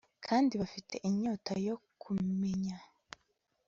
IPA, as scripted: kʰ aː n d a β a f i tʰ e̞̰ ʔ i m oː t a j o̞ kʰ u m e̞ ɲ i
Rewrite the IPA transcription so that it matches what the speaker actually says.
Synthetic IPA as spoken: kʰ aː n d i β a f i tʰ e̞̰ ʔ i ɲ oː t a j o̞ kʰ u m e̞ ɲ a